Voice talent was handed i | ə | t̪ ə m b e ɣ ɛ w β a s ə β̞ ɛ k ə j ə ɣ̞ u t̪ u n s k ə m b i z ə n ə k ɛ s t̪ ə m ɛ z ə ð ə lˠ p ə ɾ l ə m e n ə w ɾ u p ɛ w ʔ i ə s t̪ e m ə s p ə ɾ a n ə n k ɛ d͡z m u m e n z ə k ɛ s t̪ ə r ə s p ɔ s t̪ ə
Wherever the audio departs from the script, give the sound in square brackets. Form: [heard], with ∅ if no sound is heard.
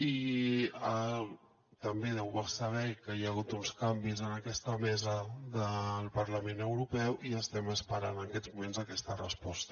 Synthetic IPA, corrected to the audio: i | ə | t̪ ə m b e [ð] ɛ w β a s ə β̞ ɛ k ə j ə ɣ̞ u t̪ u n s k [a] m b i z ə n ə k ɛ s t̪ ə m ɛ z ə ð ə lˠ p ə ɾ l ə m e n ə w ɾ u p ɛ w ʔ i ə s t̪ [ɛ] m ə s p ə ɾ a n ə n k ɛ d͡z m u m e n z ə k ɛ s t̪ ə r ə s p ɔ s t̪ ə